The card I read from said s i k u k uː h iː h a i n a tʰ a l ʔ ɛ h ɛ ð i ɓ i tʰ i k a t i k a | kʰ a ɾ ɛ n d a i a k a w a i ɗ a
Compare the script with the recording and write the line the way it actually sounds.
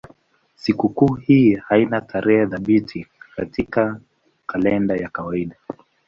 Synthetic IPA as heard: s i k u k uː h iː h a i n a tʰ a ɾ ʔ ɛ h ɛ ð a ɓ i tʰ i k a t i k a | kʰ a l ɛ n d a j a k a w a i ɗ a